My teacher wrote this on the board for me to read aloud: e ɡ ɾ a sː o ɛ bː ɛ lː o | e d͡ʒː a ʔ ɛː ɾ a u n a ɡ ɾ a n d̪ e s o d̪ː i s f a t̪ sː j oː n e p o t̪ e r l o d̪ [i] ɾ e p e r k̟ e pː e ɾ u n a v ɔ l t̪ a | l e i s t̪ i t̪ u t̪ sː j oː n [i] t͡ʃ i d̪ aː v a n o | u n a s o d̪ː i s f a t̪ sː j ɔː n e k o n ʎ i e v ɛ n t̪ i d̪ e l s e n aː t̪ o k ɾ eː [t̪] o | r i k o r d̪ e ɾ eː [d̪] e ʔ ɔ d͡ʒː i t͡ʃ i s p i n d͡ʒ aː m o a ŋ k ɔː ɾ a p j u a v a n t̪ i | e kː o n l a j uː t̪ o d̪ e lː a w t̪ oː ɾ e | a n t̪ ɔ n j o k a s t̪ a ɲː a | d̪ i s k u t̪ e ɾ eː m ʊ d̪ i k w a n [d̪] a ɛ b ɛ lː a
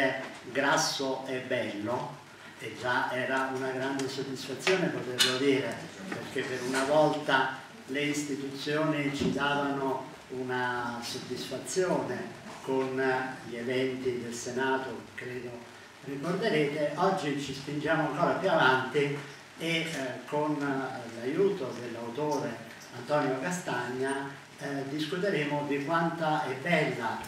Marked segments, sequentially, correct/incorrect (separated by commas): incorrect, correct, incorrect, incorrect, incorrect